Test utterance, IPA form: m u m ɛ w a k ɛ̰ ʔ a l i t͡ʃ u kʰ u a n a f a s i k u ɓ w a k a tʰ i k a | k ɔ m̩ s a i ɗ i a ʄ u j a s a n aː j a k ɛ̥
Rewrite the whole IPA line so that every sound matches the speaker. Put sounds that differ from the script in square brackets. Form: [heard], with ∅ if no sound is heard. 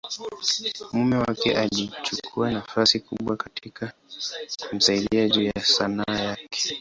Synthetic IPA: m u m ɛ w a k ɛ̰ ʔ a l i t͡ʃ u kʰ u a n a f a s i k u ɓ w a k a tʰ i k a | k [u] m̩ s a i ɗ i a ʄ u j a s a n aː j a k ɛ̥